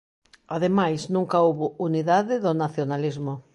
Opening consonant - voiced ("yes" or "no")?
yes